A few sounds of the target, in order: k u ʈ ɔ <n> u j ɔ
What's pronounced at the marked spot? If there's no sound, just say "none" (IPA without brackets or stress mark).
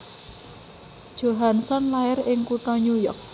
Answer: ɲ